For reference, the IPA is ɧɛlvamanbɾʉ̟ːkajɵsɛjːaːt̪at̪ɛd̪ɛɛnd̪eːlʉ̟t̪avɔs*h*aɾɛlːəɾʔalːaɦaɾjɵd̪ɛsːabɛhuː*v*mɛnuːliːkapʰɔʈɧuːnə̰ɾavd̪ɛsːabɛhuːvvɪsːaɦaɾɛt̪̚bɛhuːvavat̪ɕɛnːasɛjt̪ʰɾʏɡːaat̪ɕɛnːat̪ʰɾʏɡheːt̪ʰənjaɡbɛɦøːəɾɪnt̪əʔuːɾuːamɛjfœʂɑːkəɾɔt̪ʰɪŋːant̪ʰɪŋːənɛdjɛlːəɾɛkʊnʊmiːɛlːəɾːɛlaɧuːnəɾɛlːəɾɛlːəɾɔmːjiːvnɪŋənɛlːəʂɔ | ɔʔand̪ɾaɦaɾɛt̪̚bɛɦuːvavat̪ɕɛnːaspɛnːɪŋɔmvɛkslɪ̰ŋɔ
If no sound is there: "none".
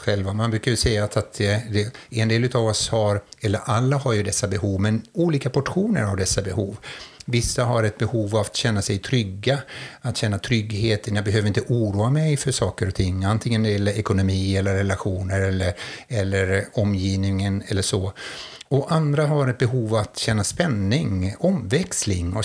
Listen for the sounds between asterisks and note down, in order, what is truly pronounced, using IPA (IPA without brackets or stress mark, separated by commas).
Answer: h, v